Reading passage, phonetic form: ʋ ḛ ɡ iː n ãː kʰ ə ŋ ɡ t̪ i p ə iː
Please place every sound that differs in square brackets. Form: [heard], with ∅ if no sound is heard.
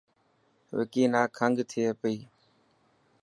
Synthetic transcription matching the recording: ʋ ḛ [k] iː n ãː kʰ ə ŋ ɡ [t̪ʰ] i p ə iː